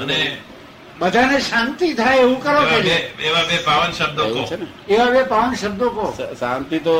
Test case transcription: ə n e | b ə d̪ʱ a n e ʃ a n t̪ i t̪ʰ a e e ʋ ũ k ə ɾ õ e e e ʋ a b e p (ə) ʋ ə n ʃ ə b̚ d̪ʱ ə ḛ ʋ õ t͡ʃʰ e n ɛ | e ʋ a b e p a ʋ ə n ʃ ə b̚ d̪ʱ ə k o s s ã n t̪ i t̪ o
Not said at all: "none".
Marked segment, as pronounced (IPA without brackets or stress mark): a